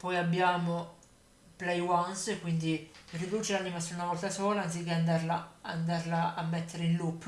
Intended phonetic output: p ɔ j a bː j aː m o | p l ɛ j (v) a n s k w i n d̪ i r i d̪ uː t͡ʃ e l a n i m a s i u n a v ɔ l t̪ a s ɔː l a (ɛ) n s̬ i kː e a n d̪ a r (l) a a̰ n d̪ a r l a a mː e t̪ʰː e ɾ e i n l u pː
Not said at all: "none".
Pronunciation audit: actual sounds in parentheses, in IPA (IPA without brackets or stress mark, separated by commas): w, a, l